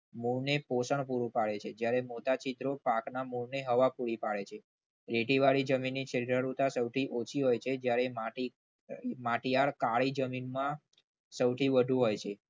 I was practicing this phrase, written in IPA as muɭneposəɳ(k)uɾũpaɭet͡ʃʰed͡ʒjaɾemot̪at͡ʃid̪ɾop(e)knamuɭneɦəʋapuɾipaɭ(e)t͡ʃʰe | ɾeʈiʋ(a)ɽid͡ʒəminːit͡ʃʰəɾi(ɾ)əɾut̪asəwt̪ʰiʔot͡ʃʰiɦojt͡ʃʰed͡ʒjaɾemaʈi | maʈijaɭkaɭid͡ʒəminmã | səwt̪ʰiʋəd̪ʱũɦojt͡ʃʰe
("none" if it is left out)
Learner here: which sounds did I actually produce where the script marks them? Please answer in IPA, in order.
p, a, e, a, ɾ

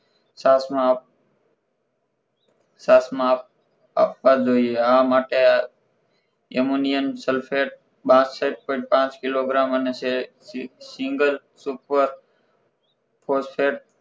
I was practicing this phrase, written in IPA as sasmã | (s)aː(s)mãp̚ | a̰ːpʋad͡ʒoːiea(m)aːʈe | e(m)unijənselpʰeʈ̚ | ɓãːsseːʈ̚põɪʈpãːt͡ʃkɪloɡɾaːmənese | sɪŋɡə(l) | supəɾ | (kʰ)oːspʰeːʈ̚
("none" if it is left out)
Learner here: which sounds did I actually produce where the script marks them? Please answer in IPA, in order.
s, s, m, m, l, pʰ

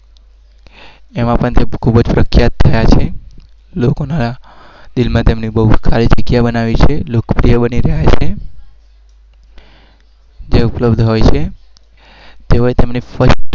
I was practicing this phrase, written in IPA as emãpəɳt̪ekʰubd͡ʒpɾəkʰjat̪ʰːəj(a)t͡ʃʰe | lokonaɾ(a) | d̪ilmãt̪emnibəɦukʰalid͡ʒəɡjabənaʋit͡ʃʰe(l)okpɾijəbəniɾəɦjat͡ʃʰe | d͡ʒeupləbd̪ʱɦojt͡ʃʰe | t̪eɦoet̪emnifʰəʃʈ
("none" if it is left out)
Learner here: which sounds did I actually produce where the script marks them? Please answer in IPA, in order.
a, a, l

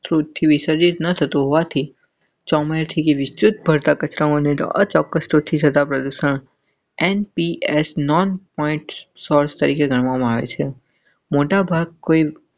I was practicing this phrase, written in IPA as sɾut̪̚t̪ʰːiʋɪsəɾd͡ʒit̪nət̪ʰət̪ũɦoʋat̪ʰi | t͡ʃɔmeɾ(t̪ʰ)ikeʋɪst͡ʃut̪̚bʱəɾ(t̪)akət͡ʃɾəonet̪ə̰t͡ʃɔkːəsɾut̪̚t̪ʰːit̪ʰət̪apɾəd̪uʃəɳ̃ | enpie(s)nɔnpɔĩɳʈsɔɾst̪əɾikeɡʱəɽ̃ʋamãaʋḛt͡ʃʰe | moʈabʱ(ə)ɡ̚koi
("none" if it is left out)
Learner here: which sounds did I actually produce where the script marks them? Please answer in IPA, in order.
t̪ʰ, t̪, s, a

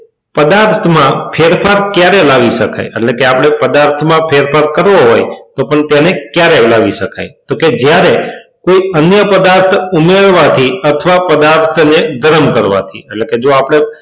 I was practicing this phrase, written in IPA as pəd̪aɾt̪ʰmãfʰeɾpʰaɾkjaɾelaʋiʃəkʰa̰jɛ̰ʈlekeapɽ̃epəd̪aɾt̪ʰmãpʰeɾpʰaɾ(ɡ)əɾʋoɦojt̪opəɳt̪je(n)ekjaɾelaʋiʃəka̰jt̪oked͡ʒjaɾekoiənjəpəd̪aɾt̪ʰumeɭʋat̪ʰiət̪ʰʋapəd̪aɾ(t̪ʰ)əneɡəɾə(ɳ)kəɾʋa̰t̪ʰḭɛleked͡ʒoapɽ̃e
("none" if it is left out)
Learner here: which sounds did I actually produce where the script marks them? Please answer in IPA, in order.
k, n, t̪ʰ, m

